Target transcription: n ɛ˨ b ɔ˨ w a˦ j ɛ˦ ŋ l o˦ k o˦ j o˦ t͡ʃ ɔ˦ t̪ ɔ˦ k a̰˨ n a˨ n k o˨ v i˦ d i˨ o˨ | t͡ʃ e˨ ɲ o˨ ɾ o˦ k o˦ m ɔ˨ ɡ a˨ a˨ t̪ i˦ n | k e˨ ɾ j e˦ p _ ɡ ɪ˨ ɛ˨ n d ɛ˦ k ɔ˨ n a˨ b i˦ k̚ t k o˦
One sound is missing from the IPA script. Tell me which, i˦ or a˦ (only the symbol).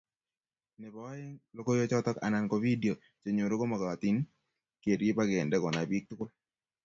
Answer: a˦